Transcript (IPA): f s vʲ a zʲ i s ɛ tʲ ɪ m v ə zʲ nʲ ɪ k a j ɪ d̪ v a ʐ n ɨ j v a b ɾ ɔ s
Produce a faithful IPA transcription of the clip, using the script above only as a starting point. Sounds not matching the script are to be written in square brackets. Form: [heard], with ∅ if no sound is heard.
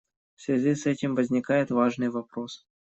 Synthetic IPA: f s vʲ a zʲ i s ɛ tʲ ɪ m v ə zʲ nʲ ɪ k a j ɪ [t̪] v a ʐ n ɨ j v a [p] ɾ [o] s